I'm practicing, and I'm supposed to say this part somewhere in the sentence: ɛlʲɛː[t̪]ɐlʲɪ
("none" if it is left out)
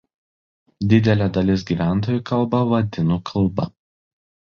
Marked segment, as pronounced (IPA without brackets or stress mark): d̪